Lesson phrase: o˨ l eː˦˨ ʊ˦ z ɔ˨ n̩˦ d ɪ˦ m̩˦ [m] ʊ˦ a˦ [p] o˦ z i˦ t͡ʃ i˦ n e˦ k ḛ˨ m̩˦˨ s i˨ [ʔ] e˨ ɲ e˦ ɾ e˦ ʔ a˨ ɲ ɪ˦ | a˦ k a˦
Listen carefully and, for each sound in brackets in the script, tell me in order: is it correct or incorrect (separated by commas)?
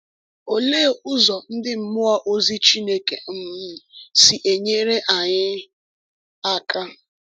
correct, incorrect, correct